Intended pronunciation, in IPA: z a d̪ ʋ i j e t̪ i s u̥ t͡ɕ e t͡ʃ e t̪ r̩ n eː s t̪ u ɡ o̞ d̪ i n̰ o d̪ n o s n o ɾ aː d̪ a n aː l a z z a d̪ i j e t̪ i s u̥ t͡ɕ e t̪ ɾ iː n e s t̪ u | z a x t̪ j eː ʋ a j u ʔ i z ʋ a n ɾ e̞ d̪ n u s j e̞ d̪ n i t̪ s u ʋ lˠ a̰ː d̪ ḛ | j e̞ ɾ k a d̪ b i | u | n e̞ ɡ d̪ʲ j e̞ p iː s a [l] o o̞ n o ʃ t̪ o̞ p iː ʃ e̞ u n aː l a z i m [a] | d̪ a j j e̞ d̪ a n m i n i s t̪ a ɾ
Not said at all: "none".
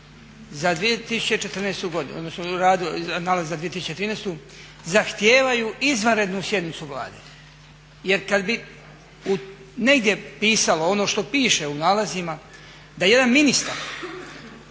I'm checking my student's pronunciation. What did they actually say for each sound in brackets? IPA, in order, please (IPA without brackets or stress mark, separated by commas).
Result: l, a